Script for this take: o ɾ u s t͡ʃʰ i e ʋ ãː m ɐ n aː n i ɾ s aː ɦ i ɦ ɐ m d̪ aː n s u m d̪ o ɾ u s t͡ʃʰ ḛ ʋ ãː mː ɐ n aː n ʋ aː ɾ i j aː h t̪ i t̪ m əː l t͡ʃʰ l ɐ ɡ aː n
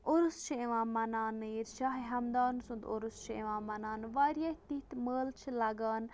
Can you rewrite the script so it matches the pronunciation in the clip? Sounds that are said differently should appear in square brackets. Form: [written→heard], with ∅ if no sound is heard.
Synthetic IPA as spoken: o ɾ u s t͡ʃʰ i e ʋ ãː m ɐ n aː n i ɾ [s→ʃ] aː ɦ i ɦ ɐ m d̪ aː n s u [m→n] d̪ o ɾ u s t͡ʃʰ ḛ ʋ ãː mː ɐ n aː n ʋ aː ɾ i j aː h t̪ i t̪ m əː l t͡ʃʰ l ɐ ɡ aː n